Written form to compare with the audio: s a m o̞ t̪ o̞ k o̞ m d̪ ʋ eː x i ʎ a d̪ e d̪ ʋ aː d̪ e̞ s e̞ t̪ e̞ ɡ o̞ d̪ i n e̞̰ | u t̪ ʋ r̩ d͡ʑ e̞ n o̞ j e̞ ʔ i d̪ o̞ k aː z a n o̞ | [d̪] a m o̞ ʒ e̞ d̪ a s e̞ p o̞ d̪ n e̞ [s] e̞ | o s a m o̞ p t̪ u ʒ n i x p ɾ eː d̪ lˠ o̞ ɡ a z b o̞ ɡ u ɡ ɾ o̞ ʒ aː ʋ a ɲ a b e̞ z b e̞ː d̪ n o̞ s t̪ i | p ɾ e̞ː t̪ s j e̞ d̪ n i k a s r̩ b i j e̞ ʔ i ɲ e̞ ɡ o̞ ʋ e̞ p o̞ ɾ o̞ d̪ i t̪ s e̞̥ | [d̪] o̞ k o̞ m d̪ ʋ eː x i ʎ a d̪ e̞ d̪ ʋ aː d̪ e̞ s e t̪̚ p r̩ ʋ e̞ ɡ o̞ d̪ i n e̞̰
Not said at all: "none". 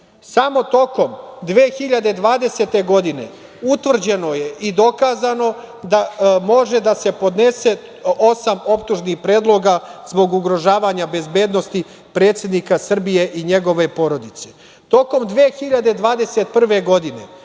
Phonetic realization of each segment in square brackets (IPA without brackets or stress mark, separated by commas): d̪, s, t̪